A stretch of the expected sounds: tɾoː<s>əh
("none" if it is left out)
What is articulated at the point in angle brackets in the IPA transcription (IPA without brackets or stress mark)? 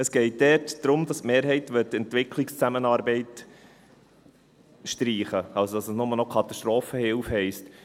f